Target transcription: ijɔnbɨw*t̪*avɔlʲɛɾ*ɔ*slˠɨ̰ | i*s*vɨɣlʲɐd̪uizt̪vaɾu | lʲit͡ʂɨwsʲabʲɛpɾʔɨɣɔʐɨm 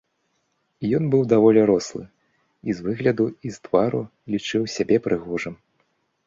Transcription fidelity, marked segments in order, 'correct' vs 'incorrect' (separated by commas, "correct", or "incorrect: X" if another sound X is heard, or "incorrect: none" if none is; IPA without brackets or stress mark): incorrect: d̪, correct, incorrect: z